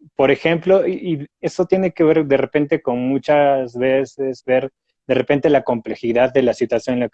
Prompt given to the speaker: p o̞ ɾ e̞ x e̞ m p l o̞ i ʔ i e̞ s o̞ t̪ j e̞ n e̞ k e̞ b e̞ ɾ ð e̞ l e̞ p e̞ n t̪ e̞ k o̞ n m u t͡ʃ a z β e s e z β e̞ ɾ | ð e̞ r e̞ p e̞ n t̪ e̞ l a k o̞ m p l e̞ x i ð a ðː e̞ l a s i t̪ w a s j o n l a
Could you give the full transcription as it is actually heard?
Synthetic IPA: p o̞ ɾ e̞ x e̞ m p l o̞ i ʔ i e̞ s o̞ t̪ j e̞ n e̞ k e̞ β e̞ ɾ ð e̞ r e̞ p e̞ n t̪ e̞ k o̞ n m u t͡ʃ a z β e s e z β e̞ ɾ | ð e̞ r e̞ p e̞ n t̪ e̞ l a k o̞ m p l e̞ x i ð a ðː e̞ l a s i t̪ w a s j o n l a

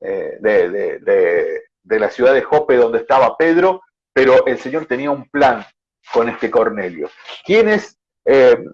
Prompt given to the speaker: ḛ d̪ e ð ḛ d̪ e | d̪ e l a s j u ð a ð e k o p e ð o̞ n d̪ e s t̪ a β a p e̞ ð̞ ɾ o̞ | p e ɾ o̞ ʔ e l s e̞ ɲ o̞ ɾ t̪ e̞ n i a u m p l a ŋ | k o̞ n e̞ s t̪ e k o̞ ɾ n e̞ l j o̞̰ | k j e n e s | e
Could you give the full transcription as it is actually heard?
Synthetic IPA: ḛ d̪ e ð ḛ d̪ e | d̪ e l a s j u ð a ð e x o p e ð o̞ n d̪ e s t̪ a β a p e̞ ð̞ ɾ o̞ | p e ɾ o̞ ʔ e l s e̞ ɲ o̞ ɾ t̪ e̞ n i a u m p l a ŋ | k o̞ n e̞ s t̪ e k o̞ ɾ n e̞ l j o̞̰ | k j e n e s | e

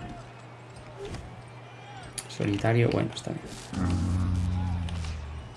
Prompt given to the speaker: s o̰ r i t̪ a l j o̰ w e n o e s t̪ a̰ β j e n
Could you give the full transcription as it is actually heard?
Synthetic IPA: s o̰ l i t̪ a ɾ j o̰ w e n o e s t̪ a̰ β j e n

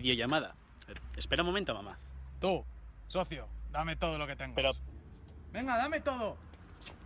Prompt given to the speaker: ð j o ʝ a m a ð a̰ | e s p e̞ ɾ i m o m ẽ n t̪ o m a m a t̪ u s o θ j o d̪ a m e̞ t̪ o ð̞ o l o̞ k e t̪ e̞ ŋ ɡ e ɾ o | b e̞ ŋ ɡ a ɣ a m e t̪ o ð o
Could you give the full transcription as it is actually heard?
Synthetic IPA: ð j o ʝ a m a ð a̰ | e s p e̞ ɾ a m o m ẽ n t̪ o m a m a t̪ u s o θ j o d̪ a m e̞ t̪ o ð̞ o l o̞ k e t̪ e̞ ŋ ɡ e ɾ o | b e̞ ŋ ɡ a ð a m e t̪ o ð o

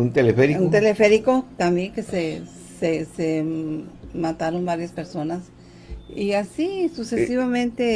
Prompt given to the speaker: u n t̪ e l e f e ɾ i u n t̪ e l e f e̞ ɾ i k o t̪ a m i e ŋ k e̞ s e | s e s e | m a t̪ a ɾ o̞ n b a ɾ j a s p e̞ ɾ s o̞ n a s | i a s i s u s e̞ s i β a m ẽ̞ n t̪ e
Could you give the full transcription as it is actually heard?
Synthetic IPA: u n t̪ e l e f e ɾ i u n t̪ e l e f e̞ ɾ i k o t̪ a m j e ŋ k e̞ s e | s e s e | m a t̪ a ɾ o̞ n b a ɾ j a s p e̞ ɾ s o̞ n a s | i a s i s u s e̞ s i β a m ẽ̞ n t̪ e

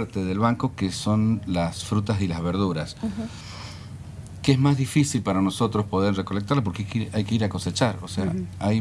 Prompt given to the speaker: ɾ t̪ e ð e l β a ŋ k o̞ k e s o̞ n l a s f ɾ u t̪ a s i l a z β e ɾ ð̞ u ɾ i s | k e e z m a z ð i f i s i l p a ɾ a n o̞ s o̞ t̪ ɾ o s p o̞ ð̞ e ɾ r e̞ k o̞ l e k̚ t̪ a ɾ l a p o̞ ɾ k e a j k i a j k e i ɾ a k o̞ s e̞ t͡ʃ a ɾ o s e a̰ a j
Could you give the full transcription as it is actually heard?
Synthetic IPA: ɾ t̪ e ð e l β a ŋ k o̞ k e s o̞ n l a s f ɾ u t̪ a s i l a z β e ɾ ð̞ u ɾ a s | k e e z m a z ð i f i s i l p a ɾ a n o̞ s o̞ t̪ ɾ o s p o̞ ð̞ e ɾ r e̞ k o̞ l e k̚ t̪ a ɾ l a p o̞ ɾ k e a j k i a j k e i ɾ a k o̞ s e̞ t͡ʃ a ɾ o s e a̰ a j

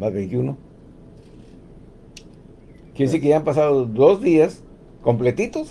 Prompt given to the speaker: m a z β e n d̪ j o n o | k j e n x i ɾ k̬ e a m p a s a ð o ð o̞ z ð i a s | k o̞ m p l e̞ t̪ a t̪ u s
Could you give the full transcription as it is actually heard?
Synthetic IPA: m a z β e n t̪ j u n o | k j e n s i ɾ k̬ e a m p a s a ð o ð o̞ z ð i a s | k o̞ m p l e̞ t̪ i t̪ o s

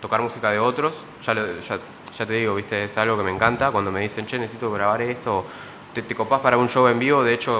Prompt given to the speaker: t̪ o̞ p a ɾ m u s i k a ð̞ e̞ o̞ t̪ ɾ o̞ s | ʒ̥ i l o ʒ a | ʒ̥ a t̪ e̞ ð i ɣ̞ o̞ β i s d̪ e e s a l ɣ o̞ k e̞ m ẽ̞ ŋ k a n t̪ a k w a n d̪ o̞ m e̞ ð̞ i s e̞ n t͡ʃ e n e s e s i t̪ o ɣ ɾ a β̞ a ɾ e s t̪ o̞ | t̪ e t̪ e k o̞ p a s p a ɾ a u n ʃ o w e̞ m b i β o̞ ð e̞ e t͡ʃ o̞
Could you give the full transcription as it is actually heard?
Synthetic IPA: t̪ o̞ k a ɾ m u s i k a ð̞ e̞ o̞ t̪ ɾ o̞ s | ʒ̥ a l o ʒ a | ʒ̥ a t̪ e̞ ð i ɣ̞ o̞ β i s t̪ e e s a l ɣ o̞ k e̞ m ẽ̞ ŋ k a n t̪ a k w a n d̪ o̞ m e̞ ð̞ i s e̞ n t͡ʃ e n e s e s i t̪ o ɣ ɾ a β̞ a ɾ e s t̪ o̞ | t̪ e t̪ e k o̞ p a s p a ɾ a u n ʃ o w e̞ m b i β o̞ ð e̞ e t͡ʃ o̞

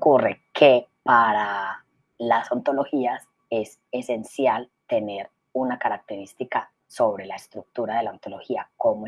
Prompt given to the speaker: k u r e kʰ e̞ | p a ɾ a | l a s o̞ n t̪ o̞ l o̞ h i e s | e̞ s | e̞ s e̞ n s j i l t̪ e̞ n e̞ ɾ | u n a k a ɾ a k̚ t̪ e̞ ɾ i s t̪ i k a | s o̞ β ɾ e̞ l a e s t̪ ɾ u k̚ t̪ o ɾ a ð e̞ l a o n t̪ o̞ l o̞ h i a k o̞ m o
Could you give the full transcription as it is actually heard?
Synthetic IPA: k u r e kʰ e̞ | p a ɾ a | l a s o̞ n t̪ o̞ l o̞ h i a s | e̞ s | e̞ s e̞ n s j a l t̪ e̞ n e̞ ɾ | u n a k a ɾ a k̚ t̪ e̞ ɾ i s t̪ i k a | s o̞ β ɾ e̞ l a e s t̪ ɾ u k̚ t̪ u ɾ a ð e̞ l a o n t̪ o̞ l o̞ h i a k o̞ m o

